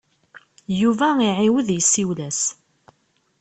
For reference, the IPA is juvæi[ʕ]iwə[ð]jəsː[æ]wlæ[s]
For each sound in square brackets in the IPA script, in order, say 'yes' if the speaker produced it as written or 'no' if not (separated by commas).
yes, yes, no, yes